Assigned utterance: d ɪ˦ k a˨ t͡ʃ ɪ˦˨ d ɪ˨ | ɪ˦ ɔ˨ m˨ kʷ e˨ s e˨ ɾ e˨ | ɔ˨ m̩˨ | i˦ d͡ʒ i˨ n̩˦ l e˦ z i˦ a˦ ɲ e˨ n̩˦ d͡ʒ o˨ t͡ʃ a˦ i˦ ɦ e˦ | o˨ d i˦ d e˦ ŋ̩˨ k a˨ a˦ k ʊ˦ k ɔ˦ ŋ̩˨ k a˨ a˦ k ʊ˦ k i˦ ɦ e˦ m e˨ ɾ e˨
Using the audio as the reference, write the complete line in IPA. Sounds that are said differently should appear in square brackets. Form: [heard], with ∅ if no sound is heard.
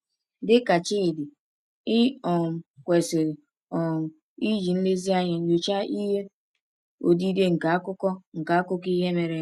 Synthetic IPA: d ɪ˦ k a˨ t͡ʃ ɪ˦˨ d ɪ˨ | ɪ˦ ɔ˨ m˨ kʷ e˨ s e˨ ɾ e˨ | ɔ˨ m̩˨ | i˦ d͡ʒ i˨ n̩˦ l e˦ z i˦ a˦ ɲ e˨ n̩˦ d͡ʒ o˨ t͡ʃ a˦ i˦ ɦ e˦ | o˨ d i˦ d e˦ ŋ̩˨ k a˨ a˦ k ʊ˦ k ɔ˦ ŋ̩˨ k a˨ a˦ k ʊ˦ k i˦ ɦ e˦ m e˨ ɾ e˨

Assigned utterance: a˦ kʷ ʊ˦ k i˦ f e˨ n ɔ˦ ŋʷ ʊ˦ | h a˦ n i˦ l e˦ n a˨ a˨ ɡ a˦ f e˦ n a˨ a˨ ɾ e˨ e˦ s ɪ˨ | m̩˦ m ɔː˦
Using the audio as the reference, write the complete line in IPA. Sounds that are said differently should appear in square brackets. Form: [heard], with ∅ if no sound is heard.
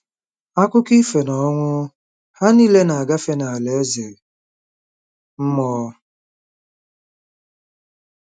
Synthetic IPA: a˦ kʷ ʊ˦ k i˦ f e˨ n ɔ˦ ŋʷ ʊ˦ | h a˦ n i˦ l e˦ n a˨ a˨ ɡ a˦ f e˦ n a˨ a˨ [l] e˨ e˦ [z] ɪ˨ | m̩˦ m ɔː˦

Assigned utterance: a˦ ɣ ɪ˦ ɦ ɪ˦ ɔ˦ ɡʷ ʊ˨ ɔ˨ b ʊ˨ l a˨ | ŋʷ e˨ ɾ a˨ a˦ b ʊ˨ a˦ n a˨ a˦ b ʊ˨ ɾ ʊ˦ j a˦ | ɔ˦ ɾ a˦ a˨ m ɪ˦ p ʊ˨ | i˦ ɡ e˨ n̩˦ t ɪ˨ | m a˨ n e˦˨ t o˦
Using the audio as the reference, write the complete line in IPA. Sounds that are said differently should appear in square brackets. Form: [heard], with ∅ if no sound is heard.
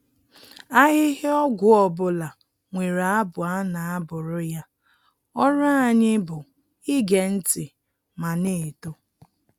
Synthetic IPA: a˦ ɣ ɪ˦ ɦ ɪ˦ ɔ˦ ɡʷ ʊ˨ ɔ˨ b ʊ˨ l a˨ | ŋʷ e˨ ɾ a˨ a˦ b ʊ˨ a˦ n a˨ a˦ b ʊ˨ ɾ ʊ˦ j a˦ | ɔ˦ ɾ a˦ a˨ [ɲ] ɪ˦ [b] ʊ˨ | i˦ ɡ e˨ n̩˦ t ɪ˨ | m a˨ n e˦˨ t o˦

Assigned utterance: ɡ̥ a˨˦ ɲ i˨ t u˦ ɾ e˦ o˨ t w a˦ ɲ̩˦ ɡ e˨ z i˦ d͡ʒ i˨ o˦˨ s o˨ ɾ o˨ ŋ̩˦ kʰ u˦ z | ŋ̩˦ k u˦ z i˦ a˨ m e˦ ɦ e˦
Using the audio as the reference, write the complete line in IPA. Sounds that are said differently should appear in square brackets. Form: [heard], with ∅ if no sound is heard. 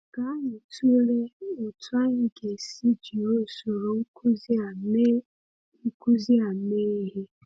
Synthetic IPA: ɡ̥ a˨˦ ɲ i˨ t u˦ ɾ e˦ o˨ t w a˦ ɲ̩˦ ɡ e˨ [s] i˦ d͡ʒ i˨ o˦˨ s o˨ ɾ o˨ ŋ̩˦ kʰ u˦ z | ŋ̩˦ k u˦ z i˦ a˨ m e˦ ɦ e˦

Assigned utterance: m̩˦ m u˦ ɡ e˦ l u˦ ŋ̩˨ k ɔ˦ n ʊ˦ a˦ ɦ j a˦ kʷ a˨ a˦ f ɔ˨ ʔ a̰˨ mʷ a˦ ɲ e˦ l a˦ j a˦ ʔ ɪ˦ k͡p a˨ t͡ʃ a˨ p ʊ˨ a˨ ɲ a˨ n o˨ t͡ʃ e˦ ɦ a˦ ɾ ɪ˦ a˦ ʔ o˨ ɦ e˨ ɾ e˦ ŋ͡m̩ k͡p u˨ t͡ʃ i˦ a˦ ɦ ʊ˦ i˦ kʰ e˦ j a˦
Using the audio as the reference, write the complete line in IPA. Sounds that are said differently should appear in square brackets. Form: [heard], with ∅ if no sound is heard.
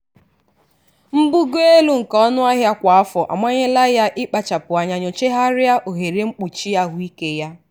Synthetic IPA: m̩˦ [b] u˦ ɡ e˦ l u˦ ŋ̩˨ k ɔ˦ n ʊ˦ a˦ ɦ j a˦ kʷ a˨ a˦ f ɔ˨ ʔ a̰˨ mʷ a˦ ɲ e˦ l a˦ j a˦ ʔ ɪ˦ k͡p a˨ t͡ʃ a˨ p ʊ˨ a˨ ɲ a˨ [ɲ] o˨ t͡ʃ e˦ ɦ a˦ ɾ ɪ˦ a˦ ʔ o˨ ɦ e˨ ɾ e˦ ŋ͡m̩ k͡p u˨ t͡ʃ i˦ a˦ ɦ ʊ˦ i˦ [k] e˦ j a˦

